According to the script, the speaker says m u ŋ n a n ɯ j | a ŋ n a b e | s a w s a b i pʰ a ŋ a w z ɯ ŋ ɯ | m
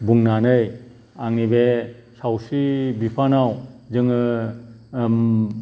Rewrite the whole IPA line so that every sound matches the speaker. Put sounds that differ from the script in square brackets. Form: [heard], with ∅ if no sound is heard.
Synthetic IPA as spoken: [b] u ŋ n a n ɯ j | a ŋ n [i] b e | s a w s [i] b i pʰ a [n] a w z ɯ ŋ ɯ | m

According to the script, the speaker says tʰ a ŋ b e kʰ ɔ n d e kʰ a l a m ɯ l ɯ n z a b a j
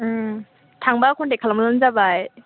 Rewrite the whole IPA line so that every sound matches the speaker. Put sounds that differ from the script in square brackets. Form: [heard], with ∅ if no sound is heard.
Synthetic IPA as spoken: tʰ a ŋ b [a] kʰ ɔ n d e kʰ a l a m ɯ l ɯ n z a b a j

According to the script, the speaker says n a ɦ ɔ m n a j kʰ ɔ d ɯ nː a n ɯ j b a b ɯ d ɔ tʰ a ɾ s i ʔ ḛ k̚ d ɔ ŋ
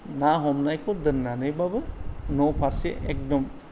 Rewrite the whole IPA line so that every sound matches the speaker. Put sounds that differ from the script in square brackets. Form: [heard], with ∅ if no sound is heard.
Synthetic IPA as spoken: n a ɦ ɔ m n a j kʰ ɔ d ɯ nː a n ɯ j b a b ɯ [n] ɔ [pʰ] a ɾ s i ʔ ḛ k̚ d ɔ [m]

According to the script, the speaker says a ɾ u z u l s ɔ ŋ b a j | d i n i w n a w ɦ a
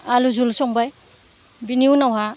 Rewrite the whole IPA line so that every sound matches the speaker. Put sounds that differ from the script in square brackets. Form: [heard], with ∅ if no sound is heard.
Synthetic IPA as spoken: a [l] u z u l s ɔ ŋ b a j | [b] i n i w n a w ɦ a

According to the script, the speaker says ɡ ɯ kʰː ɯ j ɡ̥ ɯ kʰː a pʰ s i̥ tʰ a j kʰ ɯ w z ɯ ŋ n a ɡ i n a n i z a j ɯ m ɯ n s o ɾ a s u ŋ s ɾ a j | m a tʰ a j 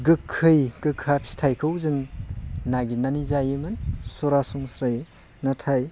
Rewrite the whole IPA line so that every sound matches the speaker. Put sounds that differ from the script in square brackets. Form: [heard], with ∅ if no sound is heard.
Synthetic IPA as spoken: ɡ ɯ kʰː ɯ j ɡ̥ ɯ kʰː a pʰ s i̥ tʰ a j kʰ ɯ w z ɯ ŋ n a ɡ i n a n i z a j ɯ m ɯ n s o ɾ a s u ŋ s ɾ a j | [n] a tʰ a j

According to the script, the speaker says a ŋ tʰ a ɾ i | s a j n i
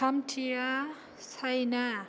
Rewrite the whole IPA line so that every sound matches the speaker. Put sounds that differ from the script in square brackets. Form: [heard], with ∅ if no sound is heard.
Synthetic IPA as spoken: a [m] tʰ [i] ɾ [a] | s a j n [a]

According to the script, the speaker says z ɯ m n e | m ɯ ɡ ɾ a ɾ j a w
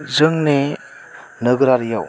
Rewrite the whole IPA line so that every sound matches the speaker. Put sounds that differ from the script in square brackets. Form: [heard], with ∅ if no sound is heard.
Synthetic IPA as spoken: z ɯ [ŋ] n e | [n] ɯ ɡ ɾ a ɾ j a w

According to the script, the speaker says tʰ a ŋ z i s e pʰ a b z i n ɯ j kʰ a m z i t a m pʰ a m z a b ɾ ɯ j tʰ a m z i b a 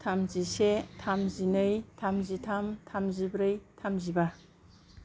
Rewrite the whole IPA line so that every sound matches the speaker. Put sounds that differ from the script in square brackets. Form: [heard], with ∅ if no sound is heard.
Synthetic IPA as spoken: tʰ a [m] z i s e [tʰ] a [m] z i n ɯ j [tʰ] a m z i [tʰ] a m [tʰ] a m z [i] b ɾ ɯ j tʰ a m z i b a

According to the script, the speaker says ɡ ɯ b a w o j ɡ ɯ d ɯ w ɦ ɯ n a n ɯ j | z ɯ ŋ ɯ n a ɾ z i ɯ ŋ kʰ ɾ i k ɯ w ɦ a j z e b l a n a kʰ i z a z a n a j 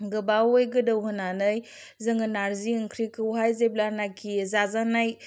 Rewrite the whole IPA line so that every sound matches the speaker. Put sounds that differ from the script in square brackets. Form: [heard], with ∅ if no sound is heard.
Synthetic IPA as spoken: ɡ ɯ b a w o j ɡ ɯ d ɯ w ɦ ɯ n a n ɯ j | z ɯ ŋ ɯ n a ɾ z i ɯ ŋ kʰ ɾ i k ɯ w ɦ a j z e b l a n a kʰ i z a z a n a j

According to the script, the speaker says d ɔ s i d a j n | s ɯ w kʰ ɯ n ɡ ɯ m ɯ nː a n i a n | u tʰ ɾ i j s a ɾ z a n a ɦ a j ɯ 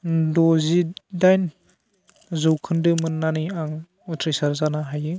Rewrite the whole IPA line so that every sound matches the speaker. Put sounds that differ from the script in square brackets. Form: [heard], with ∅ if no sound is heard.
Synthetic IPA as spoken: d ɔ [z] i d a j n | [z] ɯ w kʰ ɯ n [d] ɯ m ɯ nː a n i a [ŋ] | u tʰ ɾ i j s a ɾ z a n a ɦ a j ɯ

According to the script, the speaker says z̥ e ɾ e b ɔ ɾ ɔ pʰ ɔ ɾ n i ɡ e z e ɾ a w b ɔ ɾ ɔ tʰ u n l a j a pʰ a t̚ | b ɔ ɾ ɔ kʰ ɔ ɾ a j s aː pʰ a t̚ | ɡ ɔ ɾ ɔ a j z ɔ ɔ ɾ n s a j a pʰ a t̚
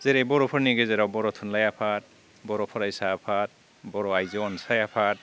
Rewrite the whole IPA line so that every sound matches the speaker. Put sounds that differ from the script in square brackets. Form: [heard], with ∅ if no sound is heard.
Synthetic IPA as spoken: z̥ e ɾ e b ɔ ɾ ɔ pʰ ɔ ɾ n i ɡ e z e ɾ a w b ɔ ɾ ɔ tʰ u n l a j a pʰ a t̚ | b ɔ ɾ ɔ [pʰ] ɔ ɾ a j s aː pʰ a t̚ | [b] ɔ ɾ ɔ a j z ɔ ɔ [∅] n s a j a pʰ a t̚

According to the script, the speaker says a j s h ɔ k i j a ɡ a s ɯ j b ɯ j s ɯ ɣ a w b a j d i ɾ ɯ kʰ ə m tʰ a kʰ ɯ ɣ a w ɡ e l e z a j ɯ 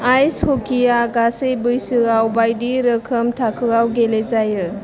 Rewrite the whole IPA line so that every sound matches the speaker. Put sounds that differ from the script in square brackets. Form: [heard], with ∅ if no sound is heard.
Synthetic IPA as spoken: a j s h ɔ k i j a ɡ a s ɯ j b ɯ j s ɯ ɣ a w b a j d i ɾ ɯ kʰ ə m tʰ a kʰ ɯ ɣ a w ɡ e l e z a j ɯ

